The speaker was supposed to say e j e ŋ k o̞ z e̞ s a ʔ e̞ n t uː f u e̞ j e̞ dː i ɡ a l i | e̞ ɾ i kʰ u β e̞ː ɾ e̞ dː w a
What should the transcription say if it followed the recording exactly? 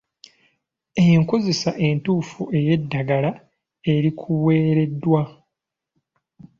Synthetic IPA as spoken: e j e ŋ k o̞ z e̞ s a ʔ e̞ n t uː f u e̞ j e̞ dː a ɡ a l a | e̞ ɾ i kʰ u w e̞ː ɾ e̞ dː w a